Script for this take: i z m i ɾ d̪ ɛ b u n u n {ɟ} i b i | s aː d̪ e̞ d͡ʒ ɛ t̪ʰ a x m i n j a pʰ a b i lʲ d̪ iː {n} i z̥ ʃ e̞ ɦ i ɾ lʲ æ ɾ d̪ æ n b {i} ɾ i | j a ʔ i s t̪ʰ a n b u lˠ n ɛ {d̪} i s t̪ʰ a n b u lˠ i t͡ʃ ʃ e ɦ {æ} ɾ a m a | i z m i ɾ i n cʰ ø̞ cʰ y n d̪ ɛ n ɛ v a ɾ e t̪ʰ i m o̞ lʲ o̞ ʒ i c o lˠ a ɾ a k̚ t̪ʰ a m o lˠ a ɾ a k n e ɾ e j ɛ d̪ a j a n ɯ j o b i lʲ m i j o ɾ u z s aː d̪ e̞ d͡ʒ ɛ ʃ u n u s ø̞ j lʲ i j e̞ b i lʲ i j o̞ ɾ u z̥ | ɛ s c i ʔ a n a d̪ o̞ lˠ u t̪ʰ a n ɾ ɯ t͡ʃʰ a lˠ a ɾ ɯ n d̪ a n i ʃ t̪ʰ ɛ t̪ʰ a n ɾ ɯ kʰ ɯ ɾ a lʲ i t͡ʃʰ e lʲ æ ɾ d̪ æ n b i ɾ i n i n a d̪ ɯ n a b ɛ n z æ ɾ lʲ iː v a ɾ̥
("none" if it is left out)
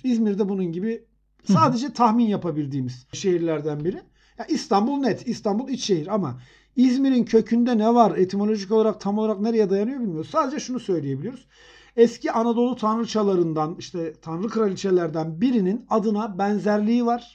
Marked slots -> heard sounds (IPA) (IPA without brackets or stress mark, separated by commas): ɟ, m, i, t̪, i